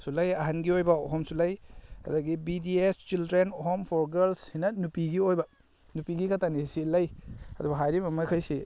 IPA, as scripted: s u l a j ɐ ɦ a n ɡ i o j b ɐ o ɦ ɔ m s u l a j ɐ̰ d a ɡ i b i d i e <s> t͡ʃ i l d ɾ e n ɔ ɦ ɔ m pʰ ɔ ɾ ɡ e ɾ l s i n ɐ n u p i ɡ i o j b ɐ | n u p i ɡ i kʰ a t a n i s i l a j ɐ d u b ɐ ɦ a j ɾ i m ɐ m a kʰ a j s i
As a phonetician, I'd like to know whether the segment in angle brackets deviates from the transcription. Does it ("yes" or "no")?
no